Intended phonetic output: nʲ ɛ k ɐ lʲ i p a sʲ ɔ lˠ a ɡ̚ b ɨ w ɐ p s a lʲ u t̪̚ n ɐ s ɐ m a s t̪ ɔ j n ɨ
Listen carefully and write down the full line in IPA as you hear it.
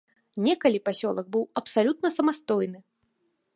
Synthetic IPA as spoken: nʲ ɛ k ɐ lʲ i p a sʲ ɔ lˠ ɐ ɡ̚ b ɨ w ɐ p s a lʲ u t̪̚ n ɐ s ɐ m a s t̪ ɔ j n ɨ